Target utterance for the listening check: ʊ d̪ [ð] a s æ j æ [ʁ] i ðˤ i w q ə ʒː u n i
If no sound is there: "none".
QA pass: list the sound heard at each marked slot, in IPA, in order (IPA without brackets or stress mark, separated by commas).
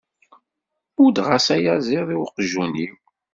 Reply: ʁ, z